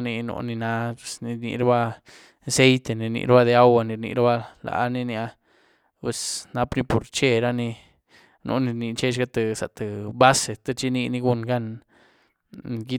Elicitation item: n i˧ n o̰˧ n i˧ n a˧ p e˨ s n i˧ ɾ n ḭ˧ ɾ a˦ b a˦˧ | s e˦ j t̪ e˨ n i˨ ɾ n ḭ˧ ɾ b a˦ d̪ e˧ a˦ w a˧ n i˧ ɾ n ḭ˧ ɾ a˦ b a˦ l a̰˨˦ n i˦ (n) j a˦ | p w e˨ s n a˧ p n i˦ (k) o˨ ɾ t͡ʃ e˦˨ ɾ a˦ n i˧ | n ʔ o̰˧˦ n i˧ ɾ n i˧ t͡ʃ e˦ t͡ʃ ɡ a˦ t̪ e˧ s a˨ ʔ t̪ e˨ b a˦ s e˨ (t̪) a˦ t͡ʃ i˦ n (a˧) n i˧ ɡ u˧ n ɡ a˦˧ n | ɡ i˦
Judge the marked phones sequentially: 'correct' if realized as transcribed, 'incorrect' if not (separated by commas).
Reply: correct, incorrect, correct, incorrect